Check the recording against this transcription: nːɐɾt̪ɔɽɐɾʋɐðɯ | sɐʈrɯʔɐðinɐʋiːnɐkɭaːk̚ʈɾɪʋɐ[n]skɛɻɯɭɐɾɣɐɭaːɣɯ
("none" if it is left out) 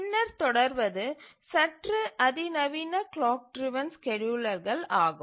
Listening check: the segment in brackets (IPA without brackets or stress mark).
n